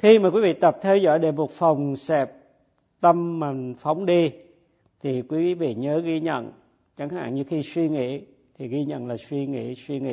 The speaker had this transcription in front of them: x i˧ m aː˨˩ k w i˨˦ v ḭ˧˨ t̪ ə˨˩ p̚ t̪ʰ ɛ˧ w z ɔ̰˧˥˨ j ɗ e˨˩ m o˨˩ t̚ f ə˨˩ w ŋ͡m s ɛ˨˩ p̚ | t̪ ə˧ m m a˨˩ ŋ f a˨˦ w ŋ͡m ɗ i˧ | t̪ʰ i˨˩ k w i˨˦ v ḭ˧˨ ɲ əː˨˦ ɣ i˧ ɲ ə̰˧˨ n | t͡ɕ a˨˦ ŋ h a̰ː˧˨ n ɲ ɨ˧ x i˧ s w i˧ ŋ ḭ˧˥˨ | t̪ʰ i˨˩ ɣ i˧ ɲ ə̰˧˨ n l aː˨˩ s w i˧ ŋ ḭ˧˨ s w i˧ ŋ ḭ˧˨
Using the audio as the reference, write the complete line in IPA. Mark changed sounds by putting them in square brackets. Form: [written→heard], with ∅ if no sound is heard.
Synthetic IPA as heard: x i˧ m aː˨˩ k w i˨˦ v ḭ˧˨ t̪ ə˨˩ p̚ t̪ʰ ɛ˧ w z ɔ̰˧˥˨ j ɗ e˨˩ m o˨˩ t̚ f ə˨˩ w ŋ͡m s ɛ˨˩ p̚ | t̪ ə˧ m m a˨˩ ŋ f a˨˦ w ŋ͡m ɗ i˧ | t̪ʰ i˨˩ k w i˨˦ v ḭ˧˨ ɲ əː˨˦ ɣ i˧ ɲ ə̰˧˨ n | t͡ɕ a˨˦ ŋ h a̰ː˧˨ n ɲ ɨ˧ x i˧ s w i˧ ŋ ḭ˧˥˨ | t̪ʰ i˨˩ ɣ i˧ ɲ ə̰˧˨ n l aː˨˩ s w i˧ ŋ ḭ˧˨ s w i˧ ŋ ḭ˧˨